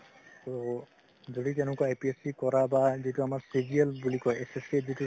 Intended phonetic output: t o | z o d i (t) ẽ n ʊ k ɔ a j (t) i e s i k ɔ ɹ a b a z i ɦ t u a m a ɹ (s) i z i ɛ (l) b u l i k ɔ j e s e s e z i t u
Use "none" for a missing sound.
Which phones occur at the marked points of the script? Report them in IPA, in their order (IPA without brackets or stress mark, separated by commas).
t, p, s, l